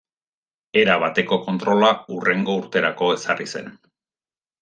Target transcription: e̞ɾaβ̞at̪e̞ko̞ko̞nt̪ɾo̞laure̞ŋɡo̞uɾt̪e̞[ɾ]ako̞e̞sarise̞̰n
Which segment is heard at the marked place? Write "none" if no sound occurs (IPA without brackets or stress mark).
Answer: ɾ